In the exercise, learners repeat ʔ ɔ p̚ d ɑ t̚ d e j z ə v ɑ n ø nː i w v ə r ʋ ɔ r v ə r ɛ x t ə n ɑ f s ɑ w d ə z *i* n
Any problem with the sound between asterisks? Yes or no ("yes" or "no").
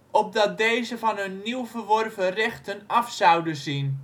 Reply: no